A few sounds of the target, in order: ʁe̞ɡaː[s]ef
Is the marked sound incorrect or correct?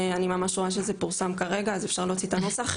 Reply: incorrect